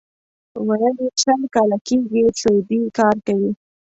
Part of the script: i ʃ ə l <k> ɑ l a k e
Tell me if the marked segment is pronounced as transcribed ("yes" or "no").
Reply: yes